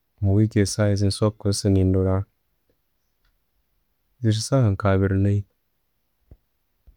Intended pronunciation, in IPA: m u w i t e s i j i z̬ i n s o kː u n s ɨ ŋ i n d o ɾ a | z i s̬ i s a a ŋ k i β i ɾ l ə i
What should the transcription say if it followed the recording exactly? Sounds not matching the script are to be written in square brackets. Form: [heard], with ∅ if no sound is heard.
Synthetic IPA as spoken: m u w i [k] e s [a] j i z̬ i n s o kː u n s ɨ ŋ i n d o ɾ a | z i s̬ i s a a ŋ k [a] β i ɾ l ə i